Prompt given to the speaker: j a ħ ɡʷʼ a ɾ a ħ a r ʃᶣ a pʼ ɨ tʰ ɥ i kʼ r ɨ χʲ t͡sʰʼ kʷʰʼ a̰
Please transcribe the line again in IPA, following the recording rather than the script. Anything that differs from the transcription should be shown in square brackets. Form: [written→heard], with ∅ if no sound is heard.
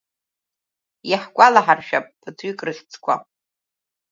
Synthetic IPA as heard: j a ħ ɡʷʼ a [ɾ→l] a ħ a r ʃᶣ a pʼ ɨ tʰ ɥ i kʼ r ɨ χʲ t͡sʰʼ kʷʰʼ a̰